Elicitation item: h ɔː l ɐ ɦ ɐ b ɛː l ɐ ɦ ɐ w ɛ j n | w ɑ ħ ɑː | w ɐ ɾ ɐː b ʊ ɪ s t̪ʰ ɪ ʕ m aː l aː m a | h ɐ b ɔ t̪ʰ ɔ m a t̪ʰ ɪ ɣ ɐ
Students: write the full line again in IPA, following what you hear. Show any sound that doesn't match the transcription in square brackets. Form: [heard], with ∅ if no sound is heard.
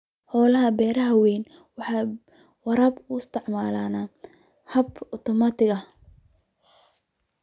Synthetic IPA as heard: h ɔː l ɐ ɦ ɐ b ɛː [ɾ] ɐ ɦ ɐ w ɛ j n | w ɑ ħ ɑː | w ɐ ɾ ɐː b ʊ ɪ s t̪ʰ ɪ ʕ m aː l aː [n] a | h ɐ b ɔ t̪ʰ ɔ m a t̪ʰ ɪ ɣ ɐ